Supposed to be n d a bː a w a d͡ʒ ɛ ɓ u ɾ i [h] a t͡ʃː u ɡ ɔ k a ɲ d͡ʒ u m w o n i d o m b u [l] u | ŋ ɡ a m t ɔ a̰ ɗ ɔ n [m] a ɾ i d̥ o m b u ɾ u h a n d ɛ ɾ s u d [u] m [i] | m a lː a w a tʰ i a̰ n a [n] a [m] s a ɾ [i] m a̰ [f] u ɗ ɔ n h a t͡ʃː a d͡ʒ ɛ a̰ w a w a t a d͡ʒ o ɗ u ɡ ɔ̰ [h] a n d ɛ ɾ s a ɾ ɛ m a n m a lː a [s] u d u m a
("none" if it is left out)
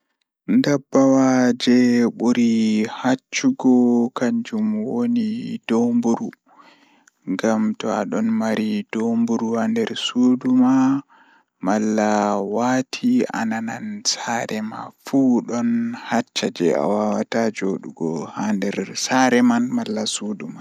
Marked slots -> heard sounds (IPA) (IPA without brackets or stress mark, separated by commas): h, ɾ, m, u, a, n, n, ɛ, f, h, s